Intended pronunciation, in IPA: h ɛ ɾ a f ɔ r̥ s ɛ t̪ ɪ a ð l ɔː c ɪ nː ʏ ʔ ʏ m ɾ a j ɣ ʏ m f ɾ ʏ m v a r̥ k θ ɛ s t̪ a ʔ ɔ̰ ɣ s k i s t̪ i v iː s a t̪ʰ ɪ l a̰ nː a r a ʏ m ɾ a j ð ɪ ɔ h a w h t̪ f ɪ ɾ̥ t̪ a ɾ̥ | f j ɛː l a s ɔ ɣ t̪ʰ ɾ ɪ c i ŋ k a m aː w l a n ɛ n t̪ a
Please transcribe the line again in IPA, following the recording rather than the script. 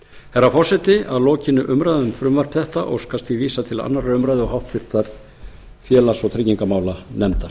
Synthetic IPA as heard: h ɛ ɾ a f ɔ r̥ s ɛ t̪ ɪ a ð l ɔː c ɪ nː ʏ ʔ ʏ m ɾ a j ð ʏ m f ɾ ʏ m v a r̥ p θ ɛ h t̪ a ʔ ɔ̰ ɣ s k a s t̪ i v iː s a t̪ʰ ɪ l a̰ nː a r a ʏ m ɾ a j ð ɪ ɔ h a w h t̪ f ɪ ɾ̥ t̪ a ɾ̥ | f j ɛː l a s ɔ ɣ t̪ʰ ɾ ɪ c i ŋ k a m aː w l a n ɛ m t̪ a